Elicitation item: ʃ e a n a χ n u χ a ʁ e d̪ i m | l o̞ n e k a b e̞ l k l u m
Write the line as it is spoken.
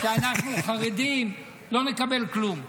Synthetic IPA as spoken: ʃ e a n a χ n u χ a ʁ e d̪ i m | l o̞ n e k a b e̞ l k l u m